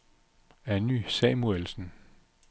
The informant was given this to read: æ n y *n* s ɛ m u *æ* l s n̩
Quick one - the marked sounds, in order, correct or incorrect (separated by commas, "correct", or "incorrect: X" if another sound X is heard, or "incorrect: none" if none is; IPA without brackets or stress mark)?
incorrect: none, incorrect: e